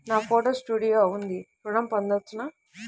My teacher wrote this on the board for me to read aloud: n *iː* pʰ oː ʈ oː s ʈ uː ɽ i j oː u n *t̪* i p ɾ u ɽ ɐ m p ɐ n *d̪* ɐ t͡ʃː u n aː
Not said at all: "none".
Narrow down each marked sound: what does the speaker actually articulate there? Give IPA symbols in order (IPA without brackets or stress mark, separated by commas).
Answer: aː, d̪, d̪